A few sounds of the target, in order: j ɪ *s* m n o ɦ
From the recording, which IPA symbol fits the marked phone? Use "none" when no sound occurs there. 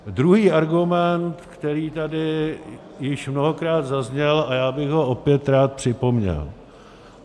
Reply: ʃ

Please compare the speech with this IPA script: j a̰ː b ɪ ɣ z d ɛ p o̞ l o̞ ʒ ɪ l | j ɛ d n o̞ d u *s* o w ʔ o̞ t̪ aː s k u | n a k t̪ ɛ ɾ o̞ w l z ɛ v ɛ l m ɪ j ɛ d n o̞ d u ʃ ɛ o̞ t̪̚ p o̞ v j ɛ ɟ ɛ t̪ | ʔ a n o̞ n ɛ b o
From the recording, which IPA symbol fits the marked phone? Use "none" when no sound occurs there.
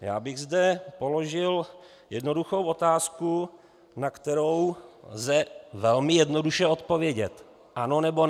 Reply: x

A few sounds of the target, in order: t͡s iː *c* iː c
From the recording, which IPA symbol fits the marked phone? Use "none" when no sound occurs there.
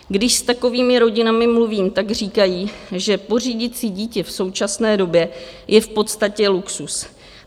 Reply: ɟ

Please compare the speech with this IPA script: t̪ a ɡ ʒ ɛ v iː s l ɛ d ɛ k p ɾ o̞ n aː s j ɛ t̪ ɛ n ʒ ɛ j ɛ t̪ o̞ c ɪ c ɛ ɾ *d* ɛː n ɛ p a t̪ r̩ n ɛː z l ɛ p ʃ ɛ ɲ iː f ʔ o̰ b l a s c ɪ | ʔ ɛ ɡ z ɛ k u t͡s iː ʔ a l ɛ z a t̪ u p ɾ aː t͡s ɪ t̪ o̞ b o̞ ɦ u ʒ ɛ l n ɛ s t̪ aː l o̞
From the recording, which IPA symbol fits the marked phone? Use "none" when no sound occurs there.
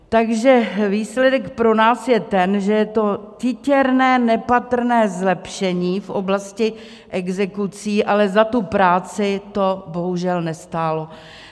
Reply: n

